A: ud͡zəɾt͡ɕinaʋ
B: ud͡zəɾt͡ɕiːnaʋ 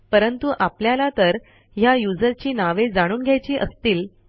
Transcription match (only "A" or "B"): B